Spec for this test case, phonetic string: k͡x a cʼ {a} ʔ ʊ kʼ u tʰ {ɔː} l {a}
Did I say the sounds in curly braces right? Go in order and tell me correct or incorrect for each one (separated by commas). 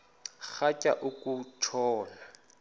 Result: correct, correct, correct